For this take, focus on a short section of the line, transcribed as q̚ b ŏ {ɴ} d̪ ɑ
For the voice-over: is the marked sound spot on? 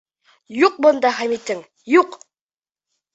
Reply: no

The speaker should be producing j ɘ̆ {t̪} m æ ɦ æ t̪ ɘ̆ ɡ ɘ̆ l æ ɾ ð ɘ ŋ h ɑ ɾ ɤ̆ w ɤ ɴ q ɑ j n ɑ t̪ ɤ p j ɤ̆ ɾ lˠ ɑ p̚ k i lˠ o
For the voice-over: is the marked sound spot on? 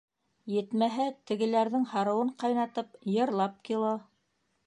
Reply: yes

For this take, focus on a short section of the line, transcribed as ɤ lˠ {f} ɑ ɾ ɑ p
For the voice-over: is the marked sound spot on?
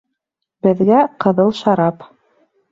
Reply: no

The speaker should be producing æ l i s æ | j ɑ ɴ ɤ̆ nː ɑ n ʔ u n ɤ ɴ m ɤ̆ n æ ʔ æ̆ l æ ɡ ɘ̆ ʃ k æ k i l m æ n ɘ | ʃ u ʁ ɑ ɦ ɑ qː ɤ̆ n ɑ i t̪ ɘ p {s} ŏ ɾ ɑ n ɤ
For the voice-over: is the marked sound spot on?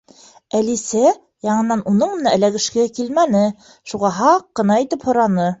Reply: no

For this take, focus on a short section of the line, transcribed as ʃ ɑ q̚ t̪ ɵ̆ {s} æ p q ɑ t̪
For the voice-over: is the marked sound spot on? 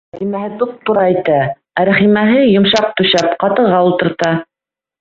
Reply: no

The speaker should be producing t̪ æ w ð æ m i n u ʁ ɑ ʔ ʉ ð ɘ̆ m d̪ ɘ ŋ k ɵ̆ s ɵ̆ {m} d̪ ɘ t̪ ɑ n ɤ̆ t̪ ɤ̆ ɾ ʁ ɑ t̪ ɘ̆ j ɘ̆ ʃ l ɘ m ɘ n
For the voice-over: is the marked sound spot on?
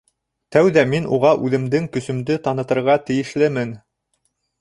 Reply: yes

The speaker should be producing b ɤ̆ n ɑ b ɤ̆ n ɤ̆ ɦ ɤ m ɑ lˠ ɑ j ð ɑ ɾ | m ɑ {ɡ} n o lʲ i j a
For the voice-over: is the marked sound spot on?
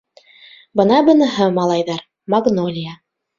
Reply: yes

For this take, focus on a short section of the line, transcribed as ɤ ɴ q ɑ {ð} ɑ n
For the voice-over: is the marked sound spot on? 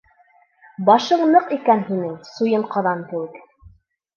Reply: yes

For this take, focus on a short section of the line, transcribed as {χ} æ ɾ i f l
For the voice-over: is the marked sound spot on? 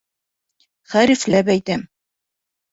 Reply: yes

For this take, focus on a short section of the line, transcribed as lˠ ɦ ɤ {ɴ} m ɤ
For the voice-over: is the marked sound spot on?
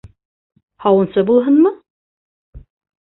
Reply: no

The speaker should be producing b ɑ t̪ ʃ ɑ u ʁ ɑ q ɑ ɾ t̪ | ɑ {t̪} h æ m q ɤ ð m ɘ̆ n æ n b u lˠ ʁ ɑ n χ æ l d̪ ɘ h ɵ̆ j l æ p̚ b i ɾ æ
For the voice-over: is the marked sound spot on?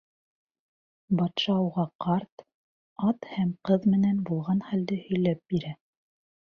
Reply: yes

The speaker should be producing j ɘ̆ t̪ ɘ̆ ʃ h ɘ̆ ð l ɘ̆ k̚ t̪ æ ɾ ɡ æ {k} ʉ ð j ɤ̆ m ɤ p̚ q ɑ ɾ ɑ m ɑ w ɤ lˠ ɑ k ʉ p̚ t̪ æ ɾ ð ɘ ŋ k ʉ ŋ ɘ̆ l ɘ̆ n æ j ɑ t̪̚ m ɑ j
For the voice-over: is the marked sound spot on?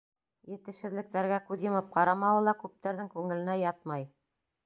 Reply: yes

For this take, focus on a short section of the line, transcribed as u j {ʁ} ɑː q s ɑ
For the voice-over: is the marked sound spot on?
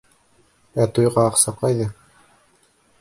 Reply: yes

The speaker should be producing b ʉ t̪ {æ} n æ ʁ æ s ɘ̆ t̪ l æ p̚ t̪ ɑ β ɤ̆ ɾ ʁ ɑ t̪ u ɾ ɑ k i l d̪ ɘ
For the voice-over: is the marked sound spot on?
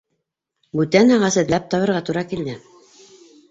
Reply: yes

